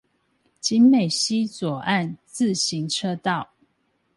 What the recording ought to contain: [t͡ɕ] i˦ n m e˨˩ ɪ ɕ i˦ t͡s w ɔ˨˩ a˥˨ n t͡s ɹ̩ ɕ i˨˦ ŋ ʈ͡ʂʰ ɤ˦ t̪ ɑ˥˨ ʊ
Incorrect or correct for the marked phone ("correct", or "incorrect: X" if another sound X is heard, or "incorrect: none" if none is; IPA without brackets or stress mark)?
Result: correct